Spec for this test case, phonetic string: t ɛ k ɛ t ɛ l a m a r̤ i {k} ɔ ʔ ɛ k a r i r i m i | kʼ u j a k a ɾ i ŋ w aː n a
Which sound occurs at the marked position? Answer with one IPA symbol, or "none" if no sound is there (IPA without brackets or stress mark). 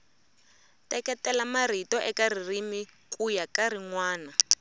t